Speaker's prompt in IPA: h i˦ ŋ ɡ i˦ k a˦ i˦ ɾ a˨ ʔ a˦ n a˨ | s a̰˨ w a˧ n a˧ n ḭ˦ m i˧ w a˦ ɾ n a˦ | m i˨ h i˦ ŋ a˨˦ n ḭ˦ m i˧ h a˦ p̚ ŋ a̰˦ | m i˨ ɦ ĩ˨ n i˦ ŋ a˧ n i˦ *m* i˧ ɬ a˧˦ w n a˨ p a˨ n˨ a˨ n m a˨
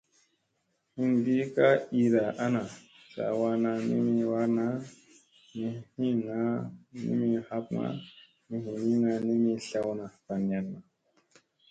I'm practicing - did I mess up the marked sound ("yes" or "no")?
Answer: no